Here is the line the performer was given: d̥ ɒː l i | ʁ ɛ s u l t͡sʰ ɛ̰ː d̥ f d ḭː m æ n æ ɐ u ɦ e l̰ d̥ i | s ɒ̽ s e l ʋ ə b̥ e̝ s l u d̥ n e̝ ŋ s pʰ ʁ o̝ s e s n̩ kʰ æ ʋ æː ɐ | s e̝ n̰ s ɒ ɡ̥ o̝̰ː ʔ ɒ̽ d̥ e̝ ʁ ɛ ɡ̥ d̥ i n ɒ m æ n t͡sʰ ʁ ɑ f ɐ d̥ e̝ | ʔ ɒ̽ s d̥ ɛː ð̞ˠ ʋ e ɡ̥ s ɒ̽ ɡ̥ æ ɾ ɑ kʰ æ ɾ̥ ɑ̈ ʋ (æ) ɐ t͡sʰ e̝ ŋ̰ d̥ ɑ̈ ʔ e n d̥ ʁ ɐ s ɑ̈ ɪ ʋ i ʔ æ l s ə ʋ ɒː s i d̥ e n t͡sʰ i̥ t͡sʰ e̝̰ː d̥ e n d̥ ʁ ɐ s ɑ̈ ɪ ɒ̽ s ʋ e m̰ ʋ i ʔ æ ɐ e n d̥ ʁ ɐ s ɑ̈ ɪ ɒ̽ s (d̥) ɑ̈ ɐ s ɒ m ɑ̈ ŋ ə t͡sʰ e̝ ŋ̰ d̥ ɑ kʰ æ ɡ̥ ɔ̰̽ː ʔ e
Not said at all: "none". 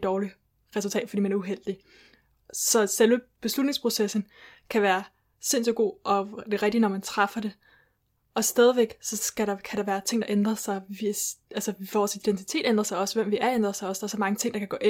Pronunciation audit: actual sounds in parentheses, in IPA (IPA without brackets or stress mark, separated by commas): æː, d̥